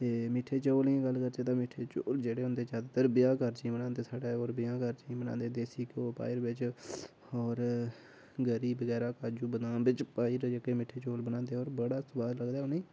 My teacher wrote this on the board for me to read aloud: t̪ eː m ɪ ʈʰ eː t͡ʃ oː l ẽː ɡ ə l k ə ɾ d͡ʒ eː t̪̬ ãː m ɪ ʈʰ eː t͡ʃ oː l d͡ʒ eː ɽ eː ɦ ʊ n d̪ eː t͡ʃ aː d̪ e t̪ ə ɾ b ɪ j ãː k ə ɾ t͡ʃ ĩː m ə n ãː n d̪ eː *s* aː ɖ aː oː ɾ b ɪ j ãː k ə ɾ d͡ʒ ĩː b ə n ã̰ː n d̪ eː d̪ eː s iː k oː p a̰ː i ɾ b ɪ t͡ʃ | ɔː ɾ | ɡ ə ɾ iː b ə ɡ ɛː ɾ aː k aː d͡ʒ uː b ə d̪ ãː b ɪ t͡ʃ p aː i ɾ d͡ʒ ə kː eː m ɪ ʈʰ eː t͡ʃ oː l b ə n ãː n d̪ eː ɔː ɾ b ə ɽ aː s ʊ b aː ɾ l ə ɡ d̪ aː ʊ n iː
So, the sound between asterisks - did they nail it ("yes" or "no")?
yes